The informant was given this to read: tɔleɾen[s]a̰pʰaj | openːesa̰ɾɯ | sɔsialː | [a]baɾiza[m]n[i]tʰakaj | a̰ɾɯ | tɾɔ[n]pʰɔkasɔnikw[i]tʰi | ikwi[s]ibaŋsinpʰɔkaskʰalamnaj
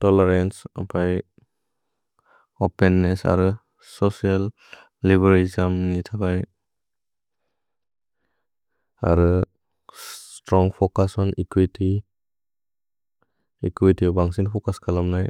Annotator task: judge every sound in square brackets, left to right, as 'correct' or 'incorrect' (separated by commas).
correct, incorrect, correct, correct, incorrect, correct, incorrect